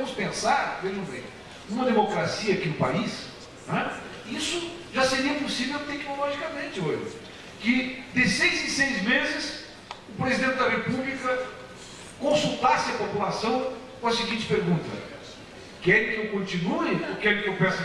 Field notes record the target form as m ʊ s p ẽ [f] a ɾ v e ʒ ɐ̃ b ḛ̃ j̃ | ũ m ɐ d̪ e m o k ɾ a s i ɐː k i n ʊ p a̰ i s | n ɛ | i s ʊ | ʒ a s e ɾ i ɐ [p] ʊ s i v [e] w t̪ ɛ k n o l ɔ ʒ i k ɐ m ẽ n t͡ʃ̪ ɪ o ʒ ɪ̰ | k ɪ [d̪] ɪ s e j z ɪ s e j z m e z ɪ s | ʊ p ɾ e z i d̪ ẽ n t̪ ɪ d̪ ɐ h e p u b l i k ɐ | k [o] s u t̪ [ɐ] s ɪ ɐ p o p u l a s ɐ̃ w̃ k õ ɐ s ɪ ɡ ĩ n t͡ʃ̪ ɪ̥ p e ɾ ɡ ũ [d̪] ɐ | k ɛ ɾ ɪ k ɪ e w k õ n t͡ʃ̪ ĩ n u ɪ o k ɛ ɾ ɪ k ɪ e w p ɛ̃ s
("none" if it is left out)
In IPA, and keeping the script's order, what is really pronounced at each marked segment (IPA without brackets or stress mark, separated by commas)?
s, p, e, d̪, õ, a, t̪